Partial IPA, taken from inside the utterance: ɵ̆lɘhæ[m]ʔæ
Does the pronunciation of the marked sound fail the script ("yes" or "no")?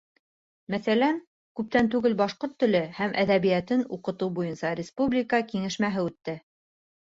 no